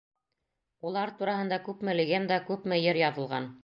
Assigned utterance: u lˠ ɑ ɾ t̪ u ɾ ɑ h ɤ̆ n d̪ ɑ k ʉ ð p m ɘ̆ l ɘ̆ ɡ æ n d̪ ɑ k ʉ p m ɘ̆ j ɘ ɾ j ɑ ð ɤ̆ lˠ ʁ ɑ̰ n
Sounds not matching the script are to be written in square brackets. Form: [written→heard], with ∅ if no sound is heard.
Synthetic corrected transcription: u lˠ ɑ ɾ t̪ u ɾ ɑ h ɤ̆ n d̪ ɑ k ʉ [ð→∅] p m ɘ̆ l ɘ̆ ɡ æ n d̪ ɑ k ʉ p m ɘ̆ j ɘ ɾ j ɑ ð ɤ̆ lˠ ʁ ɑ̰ n